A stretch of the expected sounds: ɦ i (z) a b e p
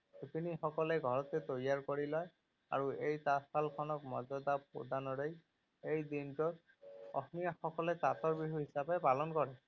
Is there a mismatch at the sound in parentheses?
yes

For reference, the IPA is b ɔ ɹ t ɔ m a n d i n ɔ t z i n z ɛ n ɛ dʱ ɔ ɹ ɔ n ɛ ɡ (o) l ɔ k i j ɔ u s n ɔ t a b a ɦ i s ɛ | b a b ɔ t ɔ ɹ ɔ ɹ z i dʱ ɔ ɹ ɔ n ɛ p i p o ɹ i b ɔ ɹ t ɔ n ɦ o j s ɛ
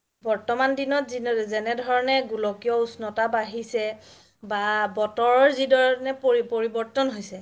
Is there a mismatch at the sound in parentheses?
yes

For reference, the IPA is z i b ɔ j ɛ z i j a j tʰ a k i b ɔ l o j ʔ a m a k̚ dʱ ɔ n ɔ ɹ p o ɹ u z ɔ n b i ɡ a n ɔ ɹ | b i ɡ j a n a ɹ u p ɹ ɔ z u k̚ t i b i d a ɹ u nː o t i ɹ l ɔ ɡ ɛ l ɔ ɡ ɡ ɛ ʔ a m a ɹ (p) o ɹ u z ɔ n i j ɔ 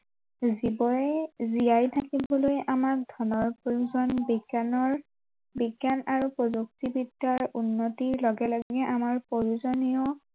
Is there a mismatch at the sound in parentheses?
no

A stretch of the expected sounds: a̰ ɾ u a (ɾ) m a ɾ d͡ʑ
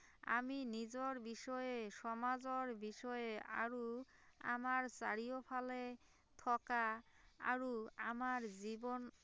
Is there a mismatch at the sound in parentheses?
yes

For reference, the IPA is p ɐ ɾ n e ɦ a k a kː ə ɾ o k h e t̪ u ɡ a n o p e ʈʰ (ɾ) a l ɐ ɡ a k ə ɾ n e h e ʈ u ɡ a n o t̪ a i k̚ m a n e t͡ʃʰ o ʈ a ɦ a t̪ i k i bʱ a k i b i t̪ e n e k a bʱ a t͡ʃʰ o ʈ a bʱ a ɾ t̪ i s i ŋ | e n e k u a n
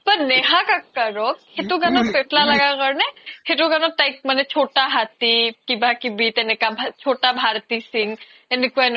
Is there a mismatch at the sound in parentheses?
yes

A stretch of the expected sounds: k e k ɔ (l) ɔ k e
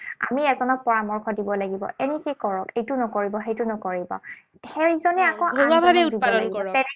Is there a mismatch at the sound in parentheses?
yes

